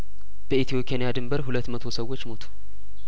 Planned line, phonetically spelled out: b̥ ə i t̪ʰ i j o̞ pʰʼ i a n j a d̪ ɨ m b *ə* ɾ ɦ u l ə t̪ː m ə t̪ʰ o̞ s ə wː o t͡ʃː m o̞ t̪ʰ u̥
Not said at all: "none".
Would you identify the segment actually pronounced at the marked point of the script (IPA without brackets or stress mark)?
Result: ə